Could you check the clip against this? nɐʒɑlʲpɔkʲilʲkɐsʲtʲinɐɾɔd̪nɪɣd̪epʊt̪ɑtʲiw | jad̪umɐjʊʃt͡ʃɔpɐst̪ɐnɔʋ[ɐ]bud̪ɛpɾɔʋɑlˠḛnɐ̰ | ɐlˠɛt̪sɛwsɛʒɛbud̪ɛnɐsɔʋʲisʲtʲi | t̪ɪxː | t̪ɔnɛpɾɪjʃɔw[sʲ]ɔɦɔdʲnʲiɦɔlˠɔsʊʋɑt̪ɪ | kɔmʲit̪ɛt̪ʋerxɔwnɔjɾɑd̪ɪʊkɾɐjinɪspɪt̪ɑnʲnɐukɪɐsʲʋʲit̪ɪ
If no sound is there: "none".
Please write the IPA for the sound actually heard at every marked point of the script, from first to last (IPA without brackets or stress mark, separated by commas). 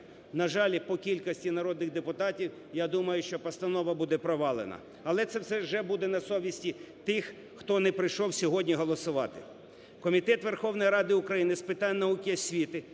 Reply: ɐ, sʲ